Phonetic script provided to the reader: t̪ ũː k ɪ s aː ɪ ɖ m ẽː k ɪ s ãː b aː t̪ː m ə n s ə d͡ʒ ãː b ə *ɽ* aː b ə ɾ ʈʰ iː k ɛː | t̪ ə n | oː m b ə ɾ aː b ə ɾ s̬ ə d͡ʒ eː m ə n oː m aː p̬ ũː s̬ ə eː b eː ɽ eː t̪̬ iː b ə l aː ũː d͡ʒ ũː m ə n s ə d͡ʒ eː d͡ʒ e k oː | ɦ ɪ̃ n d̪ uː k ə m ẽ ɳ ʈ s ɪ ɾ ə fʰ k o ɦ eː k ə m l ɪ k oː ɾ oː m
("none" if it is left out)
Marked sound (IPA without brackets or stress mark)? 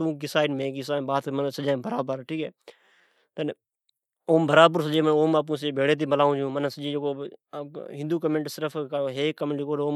ɾ